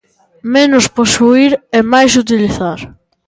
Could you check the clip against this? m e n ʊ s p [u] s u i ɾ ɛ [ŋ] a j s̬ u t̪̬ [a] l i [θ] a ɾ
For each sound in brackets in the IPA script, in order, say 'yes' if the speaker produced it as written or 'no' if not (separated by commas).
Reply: no, no, no, yes